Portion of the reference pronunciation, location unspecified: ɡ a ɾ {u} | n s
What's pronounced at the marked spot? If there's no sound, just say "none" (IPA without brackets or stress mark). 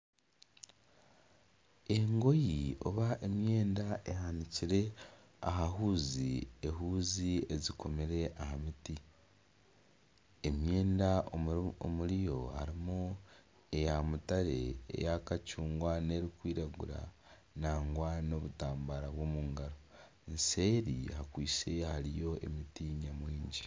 o